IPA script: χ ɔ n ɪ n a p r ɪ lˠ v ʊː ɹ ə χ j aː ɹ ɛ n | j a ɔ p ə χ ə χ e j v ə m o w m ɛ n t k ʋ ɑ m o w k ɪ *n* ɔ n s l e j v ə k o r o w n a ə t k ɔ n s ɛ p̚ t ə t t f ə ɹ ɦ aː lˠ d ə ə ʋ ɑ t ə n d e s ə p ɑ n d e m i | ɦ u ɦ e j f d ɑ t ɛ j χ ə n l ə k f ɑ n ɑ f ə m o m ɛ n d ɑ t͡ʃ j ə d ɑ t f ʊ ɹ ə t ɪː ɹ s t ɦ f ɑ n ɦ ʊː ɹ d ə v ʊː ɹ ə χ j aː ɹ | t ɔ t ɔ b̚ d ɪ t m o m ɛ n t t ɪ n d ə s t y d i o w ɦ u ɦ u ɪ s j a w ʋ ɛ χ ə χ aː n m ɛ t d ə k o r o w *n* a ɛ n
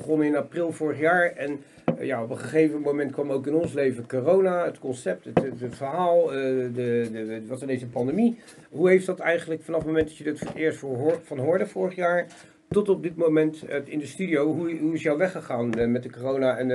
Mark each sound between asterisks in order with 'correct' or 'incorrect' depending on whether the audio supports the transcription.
correct, correct

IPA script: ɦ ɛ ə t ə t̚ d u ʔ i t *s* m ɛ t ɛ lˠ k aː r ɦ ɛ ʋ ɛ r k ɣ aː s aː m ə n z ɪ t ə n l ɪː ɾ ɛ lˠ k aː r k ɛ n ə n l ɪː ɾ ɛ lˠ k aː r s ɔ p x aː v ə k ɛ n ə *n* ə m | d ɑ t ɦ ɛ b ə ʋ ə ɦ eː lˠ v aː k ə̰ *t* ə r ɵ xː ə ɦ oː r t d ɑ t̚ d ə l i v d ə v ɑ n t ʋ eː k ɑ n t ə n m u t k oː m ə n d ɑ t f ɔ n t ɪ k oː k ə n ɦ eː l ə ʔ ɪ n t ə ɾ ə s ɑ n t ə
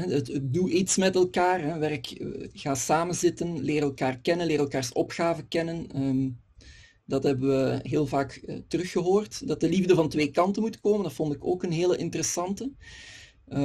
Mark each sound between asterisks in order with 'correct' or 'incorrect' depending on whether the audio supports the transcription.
correct, correct, correct

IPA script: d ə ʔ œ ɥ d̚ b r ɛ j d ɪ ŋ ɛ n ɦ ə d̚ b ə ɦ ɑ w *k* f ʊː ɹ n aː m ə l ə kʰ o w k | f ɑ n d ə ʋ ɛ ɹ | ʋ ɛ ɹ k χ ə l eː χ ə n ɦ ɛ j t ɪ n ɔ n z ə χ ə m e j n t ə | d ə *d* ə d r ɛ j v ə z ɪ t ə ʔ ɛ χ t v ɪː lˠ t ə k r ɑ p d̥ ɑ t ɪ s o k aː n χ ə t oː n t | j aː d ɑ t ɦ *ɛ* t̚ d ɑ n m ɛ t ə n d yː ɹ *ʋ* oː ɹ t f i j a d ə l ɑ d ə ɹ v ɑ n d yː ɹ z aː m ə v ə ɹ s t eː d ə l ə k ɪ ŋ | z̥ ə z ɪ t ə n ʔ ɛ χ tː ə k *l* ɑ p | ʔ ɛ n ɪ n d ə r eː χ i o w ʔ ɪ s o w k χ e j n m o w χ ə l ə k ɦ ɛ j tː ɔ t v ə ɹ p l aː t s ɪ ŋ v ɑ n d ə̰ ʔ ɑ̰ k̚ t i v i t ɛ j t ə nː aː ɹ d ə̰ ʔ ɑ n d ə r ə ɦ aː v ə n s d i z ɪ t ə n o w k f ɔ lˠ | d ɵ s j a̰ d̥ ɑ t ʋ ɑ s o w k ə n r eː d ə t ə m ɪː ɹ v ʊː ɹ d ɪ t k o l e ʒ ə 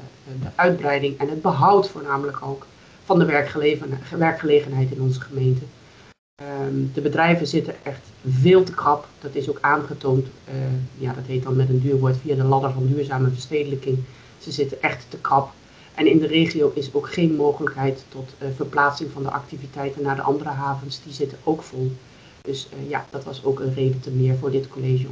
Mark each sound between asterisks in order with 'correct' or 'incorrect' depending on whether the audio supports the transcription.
incorrect: t, incorrect: b, incorrect: e, correct, incorrect: r

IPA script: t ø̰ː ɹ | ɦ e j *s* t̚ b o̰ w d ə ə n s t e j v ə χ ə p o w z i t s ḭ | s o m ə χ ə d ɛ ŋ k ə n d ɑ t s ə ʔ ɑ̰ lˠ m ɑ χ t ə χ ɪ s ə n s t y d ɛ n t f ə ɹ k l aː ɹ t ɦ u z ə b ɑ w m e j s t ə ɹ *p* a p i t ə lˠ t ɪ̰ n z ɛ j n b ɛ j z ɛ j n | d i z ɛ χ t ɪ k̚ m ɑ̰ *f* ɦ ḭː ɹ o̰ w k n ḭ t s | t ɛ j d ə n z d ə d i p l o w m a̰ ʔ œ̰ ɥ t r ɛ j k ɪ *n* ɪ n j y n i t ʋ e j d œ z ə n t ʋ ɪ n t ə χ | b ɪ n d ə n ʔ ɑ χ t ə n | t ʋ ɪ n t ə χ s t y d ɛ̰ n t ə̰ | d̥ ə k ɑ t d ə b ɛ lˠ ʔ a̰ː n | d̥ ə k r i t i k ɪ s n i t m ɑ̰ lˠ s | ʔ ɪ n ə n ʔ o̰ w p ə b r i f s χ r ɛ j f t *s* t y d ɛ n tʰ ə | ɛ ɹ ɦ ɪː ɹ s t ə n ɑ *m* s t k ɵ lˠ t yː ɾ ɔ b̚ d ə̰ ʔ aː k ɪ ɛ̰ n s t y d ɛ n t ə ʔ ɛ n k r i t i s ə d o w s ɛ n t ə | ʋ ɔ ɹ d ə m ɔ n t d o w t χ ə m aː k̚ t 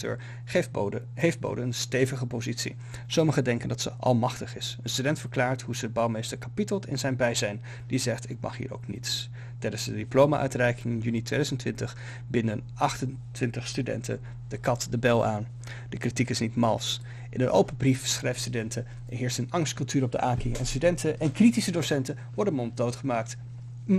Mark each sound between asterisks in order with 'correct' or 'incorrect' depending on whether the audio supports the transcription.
incorrect: f, incorrect: k, incorrect: χ, incorrect: ŋ, correct, incorrect: ŋ

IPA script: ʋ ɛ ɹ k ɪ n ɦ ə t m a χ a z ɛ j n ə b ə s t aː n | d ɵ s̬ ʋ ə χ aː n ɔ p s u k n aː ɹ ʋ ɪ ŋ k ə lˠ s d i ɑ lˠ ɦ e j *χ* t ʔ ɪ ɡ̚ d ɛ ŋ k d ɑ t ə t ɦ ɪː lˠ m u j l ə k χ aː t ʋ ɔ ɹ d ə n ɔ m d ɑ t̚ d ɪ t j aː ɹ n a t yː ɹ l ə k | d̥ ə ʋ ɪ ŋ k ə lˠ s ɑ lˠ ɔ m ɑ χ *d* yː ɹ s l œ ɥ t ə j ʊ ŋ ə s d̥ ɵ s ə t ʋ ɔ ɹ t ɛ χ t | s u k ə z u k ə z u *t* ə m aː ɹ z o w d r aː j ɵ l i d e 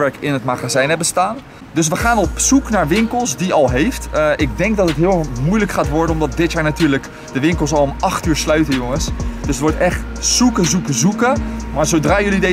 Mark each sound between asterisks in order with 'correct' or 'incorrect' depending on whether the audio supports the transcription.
incorrect: f, incorrect: t, incorrect: k

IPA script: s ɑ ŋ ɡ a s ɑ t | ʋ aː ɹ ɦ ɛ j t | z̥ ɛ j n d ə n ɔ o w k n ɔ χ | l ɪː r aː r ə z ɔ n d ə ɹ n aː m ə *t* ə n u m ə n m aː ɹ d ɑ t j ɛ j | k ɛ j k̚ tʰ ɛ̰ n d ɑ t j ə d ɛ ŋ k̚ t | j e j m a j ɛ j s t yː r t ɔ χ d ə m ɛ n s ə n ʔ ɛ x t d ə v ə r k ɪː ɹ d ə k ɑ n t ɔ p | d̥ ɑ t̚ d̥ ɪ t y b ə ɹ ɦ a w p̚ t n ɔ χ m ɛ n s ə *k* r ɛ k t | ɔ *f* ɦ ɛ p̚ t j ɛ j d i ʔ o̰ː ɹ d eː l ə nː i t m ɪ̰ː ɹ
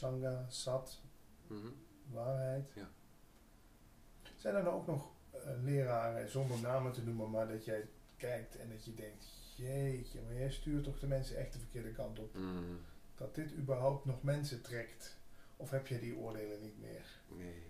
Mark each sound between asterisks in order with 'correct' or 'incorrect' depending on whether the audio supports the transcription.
correct, incorrect: t, correct

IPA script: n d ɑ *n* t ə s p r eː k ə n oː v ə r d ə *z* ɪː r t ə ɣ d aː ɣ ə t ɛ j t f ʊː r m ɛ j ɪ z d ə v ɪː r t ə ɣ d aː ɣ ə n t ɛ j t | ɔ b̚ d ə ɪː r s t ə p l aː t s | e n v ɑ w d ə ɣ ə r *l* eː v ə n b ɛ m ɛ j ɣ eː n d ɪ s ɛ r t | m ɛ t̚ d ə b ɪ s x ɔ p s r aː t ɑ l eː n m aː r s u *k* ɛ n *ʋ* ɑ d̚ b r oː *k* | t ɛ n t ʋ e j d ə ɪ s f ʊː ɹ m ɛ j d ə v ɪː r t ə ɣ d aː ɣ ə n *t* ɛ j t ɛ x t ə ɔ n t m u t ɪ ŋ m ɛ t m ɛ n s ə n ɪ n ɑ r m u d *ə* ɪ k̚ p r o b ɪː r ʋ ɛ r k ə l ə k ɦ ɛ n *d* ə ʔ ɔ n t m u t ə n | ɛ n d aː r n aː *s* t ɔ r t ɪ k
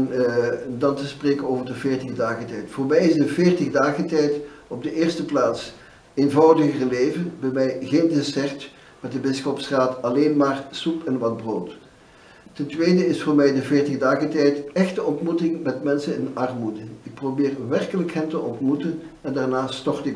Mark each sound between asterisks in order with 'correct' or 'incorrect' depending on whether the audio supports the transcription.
correct, incorrect: v, correct, incorrect: p, correct, incorrect: t, correct, correct, incorrect: t, correct

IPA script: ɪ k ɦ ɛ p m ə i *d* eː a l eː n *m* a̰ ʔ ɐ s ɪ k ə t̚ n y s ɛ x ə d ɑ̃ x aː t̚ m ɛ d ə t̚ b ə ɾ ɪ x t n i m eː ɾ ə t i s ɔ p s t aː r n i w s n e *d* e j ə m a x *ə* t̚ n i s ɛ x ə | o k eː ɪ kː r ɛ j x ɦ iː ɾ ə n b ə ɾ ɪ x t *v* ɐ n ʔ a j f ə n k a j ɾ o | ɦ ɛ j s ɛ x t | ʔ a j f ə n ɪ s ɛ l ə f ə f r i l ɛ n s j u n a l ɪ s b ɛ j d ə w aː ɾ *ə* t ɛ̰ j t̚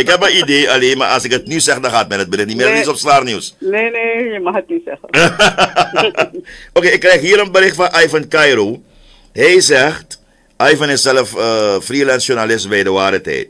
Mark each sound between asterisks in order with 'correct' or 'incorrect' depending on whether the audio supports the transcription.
correct, correct, incorrect: n, correct, incorrect: f, correct

